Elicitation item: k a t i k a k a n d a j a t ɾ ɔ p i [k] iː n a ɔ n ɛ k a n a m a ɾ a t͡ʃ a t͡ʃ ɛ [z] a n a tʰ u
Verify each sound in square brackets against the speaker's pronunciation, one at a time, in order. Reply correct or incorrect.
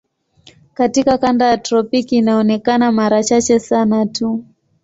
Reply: correct, incorrect: s

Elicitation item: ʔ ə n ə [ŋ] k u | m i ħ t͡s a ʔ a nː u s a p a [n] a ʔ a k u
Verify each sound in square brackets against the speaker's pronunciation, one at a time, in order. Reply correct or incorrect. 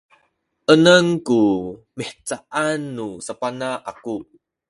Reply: correct, correct

